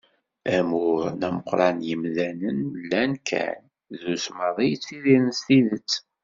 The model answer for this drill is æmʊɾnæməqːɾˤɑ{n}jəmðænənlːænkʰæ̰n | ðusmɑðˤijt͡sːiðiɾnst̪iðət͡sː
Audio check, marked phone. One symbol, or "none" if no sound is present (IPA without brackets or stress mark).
n